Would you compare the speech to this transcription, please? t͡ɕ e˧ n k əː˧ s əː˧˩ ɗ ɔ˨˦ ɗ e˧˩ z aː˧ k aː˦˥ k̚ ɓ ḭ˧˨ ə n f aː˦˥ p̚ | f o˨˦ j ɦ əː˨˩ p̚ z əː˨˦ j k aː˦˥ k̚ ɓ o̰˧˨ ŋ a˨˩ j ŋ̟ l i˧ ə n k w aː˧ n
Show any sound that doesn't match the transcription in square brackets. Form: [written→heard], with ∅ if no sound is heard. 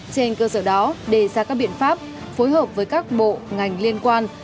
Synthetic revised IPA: t͡ɕ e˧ n k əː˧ s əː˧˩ ɗ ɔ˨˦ ɗ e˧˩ z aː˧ k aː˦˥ k̚ ɓ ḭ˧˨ ə n f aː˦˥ p̚ | f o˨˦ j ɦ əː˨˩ p̚ [z→v] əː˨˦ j k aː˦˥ k̚ ɓ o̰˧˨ ŋ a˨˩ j ŋ̟ l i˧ ə n k w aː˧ n